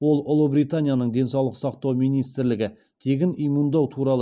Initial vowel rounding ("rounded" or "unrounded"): rounded